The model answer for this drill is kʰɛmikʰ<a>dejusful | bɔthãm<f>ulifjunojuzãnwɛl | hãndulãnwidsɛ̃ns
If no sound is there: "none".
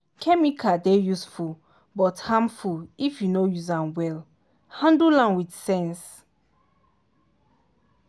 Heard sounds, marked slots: a, f

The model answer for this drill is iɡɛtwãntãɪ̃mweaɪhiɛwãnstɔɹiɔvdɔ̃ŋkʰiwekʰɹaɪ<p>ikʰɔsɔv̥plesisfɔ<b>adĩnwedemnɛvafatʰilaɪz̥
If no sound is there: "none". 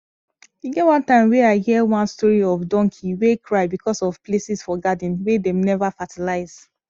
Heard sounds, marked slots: b, ɡ

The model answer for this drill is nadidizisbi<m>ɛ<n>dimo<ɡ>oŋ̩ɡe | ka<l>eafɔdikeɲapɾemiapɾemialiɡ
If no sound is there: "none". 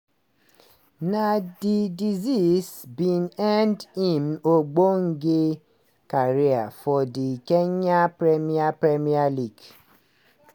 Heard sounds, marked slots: n, n, ɡ͡b, ɾ

